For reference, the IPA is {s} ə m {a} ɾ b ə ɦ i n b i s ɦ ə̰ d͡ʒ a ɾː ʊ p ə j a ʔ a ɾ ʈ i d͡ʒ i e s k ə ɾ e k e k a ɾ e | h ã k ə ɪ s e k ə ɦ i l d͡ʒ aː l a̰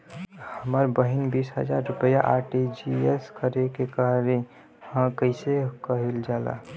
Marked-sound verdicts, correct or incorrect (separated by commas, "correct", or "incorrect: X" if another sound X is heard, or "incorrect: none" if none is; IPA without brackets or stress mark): incorrect: h, incorrect: ə